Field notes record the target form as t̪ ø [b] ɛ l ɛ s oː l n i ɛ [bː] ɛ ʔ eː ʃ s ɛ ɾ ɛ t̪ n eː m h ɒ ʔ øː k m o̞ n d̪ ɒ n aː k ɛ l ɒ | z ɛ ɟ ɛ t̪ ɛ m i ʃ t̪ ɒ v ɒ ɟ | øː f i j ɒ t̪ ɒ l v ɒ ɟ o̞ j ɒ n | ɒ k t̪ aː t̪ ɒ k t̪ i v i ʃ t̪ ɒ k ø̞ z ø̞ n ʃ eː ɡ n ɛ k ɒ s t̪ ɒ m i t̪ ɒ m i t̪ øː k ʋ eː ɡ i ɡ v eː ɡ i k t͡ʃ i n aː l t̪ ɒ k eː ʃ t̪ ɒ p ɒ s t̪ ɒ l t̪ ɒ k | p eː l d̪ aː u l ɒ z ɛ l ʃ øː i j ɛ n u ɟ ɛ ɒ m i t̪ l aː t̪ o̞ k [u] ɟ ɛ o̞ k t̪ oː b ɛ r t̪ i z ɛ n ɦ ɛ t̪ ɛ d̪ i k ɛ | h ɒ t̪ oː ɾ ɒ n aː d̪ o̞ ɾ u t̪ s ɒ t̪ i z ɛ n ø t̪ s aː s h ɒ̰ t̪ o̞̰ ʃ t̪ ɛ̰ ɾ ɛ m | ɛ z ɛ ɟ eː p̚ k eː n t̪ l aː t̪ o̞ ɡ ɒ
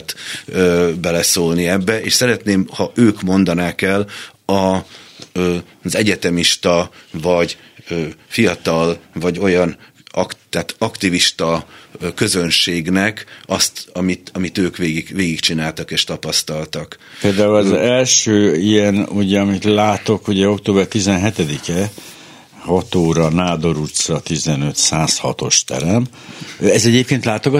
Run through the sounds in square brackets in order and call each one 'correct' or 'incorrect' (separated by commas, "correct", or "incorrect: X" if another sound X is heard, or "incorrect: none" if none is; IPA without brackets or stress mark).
correct, correct, correct